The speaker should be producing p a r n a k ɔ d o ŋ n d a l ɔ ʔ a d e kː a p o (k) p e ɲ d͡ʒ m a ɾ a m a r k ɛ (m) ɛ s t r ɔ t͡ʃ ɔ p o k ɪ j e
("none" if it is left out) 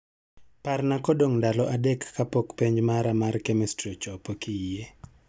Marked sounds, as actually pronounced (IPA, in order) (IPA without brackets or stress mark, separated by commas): k, m